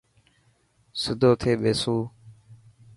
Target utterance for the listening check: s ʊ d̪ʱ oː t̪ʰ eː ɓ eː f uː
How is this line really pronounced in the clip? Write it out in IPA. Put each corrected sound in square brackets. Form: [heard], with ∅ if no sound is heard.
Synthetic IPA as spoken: s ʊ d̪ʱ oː t̪ʰ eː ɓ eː [s] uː